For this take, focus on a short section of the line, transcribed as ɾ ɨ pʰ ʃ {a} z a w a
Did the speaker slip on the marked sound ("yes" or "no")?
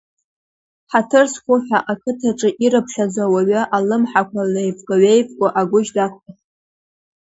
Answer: no